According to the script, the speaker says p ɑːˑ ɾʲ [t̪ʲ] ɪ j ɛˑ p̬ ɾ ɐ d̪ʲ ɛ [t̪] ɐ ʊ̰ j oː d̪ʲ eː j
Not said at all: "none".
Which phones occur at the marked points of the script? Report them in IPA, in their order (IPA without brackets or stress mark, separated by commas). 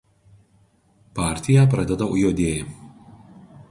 t̪ʲ, d̪